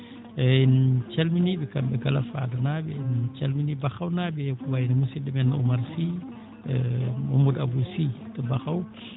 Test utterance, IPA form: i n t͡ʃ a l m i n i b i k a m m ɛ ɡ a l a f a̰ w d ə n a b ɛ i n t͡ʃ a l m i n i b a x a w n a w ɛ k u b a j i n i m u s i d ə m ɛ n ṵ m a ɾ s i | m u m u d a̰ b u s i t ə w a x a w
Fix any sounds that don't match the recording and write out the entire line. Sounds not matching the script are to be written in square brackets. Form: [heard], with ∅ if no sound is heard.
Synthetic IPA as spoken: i n t͡ʃ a l m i n i b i k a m [b] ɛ ɡ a l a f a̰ [∅] d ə n a b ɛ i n t͡ʃ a l m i n i b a x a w n a [b] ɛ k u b a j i n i m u s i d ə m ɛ n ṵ m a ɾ s i | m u m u d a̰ b u s i t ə [b] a x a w